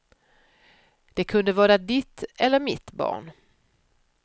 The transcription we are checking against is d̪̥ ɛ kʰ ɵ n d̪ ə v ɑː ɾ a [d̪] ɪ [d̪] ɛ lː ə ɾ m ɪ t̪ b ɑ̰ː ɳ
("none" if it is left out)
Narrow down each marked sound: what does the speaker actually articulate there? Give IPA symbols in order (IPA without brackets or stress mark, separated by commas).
d̪, t̪